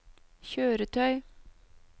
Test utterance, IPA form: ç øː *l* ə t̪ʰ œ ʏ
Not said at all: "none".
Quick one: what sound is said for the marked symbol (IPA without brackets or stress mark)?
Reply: ɾ